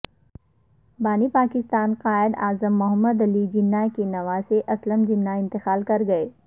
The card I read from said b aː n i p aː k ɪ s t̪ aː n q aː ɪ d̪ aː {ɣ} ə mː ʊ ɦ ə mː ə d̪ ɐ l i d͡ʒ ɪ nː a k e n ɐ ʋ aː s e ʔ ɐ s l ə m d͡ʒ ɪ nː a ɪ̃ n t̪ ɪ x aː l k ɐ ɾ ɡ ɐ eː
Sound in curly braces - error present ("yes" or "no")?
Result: yes